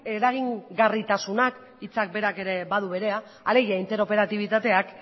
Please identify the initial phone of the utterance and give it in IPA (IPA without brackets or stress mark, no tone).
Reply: e̞